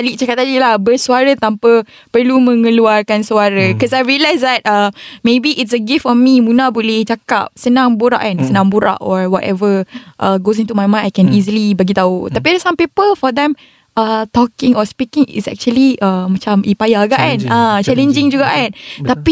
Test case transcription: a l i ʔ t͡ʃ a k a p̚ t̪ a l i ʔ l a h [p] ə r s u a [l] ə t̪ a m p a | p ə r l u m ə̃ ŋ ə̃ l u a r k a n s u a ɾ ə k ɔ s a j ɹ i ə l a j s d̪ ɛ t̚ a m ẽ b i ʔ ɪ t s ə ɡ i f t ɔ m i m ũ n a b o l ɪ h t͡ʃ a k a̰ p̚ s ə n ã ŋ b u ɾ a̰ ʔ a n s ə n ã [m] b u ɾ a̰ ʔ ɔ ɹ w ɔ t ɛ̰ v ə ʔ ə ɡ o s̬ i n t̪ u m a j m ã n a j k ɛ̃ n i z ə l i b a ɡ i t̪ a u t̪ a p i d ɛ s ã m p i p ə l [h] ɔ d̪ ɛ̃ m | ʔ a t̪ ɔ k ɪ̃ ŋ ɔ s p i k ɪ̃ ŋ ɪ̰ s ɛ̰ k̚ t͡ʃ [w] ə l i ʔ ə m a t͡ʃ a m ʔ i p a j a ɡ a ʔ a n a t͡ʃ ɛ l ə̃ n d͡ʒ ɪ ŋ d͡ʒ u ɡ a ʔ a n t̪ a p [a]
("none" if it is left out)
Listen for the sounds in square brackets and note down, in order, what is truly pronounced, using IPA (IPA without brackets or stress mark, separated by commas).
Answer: b, ɾ, ŋ, f, u, i